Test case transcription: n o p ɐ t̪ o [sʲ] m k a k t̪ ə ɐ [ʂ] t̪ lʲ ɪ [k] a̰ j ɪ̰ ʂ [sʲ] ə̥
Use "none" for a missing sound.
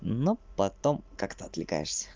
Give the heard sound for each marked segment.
none, none, k, sʲ

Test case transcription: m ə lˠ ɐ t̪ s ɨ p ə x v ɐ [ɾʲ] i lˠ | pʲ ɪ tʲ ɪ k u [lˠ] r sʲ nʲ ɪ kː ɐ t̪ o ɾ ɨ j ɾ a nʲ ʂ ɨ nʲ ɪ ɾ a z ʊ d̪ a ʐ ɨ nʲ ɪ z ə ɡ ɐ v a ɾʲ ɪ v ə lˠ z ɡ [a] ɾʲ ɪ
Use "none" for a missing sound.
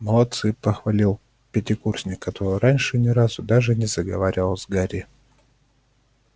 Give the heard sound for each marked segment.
lʲ, none, a

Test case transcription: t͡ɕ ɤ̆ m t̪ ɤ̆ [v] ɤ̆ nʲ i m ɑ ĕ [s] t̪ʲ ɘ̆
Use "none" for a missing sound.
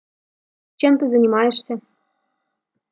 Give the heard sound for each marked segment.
z, ʃ

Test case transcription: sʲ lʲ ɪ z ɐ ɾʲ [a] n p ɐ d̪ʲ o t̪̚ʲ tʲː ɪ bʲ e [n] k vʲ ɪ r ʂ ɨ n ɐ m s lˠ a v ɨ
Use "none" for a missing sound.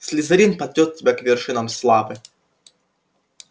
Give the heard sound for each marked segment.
i, none

